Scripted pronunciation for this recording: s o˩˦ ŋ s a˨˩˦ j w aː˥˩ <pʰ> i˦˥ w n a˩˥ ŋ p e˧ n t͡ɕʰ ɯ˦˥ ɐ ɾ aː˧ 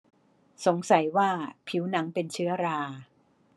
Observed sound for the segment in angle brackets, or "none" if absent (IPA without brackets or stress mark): pʰ